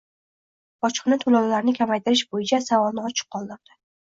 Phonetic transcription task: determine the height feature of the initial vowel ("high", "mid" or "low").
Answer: low